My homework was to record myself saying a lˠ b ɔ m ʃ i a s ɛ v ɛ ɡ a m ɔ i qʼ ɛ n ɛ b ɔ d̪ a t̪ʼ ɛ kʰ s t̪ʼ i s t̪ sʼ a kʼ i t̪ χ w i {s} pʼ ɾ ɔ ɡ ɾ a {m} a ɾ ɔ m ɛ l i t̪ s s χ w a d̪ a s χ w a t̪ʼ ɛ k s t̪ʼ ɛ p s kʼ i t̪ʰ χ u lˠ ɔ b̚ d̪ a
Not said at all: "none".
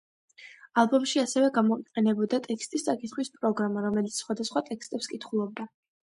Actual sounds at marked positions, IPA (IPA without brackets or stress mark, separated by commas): s, m